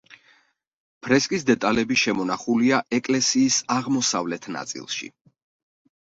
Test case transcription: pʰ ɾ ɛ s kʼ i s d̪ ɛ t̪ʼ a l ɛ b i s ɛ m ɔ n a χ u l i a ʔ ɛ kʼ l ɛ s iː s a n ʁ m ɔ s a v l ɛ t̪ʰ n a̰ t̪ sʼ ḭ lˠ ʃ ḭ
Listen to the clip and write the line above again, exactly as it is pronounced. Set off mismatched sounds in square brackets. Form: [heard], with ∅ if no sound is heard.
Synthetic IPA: pʰ ɾ ɛ s kʼ i s d̪ ɛ t̪ʼ a l ɛ b i [ʃ] ɛ m ɔ n a χ u l i a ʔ ɛ kʼ l ɛ s iː s a [∅] ʁ m ɔ s a v l ɛ t̪ʰ n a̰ t̪ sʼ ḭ lˠ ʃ ḭ